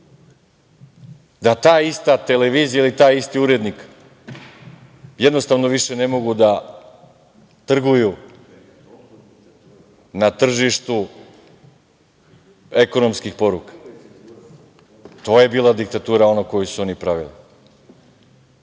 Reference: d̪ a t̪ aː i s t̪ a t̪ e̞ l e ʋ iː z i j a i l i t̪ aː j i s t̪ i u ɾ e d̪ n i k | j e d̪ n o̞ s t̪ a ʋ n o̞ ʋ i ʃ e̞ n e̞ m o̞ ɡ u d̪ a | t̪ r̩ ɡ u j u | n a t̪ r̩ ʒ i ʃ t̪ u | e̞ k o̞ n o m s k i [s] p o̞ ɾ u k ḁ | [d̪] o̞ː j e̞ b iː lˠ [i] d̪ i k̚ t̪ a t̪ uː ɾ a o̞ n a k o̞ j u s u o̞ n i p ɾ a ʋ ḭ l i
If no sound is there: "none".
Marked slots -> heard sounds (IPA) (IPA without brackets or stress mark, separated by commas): x, t̪, a